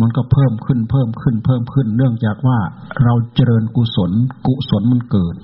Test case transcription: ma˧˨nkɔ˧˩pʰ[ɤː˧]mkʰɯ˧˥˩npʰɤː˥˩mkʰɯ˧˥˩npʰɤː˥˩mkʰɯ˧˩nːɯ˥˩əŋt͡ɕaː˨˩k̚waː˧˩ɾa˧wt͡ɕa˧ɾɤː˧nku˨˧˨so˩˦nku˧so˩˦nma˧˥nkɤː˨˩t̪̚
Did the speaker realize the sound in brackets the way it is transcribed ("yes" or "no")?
no